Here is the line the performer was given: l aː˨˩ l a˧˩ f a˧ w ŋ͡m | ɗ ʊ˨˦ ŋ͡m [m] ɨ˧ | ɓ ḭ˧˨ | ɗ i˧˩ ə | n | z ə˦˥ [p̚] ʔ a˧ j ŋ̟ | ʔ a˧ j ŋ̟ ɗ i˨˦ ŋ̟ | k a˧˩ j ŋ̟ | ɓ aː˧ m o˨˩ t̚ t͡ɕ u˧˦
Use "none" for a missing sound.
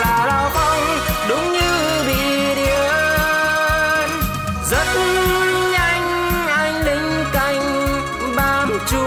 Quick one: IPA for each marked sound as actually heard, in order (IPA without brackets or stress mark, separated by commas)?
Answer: ɲ, t̚